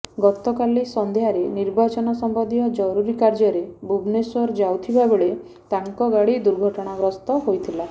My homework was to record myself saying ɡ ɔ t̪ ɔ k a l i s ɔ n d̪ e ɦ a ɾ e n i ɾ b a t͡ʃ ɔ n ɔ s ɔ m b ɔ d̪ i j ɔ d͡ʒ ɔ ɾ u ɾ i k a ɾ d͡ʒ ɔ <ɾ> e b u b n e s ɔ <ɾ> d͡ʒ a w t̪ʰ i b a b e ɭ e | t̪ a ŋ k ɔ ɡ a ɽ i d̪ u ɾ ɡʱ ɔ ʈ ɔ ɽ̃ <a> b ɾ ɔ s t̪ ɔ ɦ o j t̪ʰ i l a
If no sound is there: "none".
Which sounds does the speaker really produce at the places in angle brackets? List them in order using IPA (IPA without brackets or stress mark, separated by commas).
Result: ɾ, ɾ, a